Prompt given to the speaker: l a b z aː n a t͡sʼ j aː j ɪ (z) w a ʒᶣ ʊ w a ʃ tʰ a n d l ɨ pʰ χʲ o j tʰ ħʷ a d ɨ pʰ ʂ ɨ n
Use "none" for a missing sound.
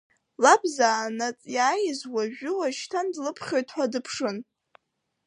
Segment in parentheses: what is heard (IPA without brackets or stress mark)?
z